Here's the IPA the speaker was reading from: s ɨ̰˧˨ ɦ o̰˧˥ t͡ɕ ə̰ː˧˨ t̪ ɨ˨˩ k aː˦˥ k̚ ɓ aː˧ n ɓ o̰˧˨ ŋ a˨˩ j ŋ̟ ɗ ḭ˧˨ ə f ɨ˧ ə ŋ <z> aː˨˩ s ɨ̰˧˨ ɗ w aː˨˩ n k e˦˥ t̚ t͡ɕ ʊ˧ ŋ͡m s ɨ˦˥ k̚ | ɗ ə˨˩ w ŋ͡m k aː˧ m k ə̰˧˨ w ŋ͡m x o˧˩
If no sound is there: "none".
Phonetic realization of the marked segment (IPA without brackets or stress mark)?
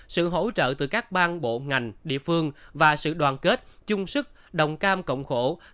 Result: v